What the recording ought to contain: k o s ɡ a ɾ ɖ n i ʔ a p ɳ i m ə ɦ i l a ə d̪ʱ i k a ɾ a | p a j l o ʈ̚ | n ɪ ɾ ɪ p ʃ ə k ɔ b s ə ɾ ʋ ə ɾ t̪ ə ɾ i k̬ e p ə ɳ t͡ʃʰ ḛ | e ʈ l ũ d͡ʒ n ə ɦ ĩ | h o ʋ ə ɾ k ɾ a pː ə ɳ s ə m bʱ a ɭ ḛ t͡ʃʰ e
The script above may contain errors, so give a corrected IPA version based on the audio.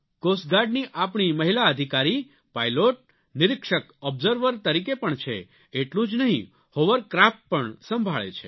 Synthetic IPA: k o s ɡ a ɾ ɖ n i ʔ a p ɳ i m ə ɦ i l a ə d̪ʱ i k a ɾ i | p a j l o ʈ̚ | n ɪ ɾ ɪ k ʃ ə k ɔ b z ə ɾ ʋ ə ɾ t̪ ə ɾ i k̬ e p ə ɳ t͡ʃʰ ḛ | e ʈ l ũ d͡ʒ n ə ɦ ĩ | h o ʋ ə ɾ k ɾ a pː ə ɳ s ə m bʱ a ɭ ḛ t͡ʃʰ e